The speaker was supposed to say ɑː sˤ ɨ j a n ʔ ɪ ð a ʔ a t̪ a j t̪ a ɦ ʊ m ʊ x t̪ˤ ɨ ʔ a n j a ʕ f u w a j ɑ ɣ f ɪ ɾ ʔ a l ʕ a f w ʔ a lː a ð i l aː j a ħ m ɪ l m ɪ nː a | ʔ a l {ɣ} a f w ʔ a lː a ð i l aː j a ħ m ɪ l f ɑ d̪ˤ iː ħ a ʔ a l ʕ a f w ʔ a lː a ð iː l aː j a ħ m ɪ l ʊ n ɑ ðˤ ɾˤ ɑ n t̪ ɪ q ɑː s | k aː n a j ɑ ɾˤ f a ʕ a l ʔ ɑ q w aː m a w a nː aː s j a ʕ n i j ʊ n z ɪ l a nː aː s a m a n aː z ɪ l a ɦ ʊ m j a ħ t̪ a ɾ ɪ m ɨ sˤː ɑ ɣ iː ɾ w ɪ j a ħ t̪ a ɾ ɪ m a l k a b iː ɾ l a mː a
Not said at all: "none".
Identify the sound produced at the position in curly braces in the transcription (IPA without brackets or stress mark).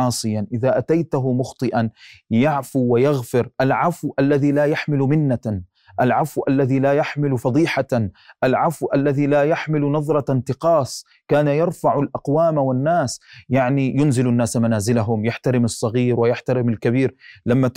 ʕ